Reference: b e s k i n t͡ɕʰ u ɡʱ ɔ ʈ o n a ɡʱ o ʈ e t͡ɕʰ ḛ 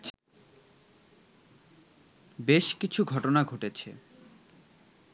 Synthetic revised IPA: b e ʃ k i t͡ɕʰ u ɡʱ ɔ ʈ o n a ɡʱ o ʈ e t͡ɕʰ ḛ